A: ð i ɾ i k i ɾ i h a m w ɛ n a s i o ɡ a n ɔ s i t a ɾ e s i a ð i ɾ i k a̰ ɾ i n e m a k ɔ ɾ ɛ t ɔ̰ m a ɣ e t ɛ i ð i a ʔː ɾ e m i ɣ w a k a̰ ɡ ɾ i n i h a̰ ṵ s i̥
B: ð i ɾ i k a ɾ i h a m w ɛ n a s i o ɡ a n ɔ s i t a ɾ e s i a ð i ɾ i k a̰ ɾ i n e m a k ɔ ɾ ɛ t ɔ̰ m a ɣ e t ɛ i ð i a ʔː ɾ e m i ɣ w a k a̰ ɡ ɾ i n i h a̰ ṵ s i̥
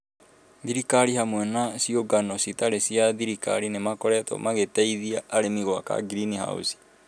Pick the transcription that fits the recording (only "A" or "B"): B